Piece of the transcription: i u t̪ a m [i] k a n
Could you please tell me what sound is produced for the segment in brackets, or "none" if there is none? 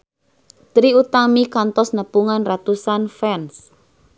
i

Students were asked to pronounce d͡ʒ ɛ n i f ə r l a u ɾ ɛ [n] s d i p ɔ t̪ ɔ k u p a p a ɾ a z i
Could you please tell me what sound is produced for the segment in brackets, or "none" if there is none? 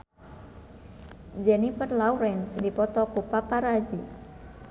n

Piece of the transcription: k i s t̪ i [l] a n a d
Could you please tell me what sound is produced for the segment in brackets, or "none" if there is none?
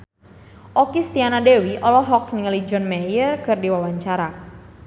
none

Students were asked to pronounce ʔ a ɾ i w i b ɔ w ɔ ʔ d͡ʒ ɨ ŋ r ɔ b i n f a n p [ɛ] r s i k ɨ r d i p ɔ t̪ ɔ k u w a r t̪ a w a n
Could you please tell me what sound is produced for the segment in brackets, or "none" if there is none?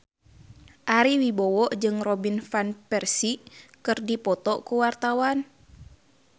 ɛ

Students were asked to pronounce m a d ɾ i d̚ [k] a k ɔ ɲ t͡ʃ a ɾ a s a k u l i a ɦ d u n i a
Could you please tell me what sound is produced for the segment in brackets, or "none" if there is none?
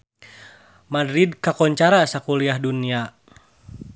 k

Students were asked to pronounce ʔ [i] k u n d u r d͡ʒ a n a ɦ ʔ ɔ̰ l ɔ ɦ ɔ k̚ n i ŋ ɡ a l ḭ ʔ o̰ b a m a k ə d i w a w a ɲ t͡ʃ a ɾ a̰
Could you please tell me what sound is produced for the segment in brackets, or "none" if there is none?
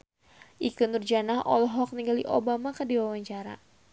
i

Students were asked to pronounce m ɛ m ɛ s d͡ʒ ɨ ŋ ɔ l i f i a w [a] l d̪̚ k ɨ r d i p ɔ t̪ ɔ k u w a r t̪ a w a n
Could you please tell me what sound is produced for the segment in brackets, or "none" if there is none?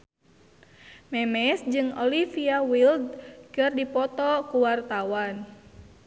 i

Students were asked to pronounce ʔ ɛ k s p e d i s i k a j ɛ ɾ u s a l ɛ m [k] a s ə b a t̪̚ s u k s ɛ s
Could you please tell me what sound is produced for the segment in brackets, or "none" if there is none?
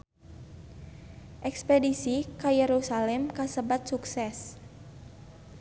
k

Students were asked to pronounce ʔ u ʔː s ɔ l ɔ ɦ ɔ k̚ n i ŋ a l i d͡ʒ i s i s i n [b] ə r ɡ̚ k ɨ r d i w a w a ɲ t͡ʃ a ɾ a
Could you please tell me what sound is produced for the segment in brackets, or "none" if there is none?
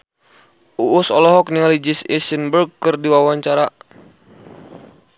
b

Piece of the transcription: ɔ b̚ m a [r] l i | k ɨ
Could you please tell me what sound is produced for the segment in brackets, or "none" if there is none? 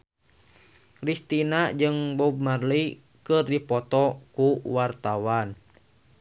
r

